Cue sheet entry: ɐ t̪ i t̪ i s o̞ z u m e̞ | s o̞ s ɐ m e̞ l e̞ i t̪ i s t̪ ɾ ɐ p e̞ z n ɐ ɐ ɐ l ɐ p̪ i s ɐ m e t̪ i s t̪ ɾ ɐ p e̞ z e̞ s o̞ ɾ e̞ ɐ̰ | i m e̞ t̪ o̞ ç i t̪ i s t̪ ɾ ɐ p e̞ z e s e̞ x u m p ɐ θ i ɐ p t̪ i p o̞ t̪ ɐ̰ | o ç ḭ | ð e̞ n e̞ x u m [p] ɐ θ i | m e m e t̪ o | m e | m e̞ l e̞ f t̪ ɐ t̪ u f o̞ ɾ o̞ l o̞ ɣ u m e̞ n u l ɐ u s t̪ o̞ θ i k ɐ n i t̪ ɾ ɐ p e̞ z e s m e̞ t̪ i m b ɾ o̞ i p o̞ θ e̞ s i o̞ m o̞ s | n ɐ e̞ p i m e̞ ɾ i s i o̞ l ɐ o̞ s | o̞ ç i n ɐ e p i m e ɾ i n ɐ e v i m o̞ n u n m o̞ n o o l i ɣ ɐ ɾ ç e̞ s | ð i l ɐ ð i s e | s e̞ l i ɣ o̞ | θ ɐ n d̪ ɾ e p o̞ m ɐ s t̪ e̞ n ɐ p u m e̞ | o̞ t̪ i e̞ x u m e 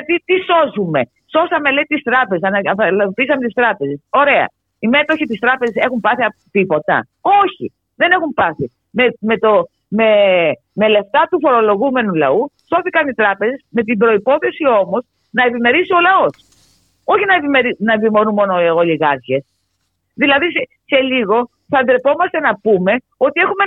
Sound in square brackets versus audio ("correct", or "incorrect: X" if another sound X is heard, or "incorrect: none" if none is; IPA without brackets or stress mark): correct